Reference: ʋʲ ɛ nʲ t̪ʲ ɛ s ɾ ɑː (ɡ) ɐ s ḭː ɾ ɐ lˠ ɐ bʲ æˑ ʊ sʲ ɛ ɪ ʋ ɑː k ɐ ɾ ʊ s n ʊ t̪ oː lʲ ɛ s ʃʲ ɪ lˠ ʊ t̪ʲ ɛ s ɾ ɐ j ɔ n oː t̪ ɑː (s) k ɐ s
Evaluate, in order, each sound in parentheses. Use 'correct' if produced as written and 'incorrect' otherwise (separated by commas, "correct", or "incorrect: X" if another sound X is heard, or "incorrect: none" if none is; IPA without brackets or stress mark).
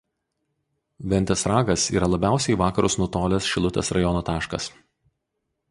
correct, incorrect: ʃ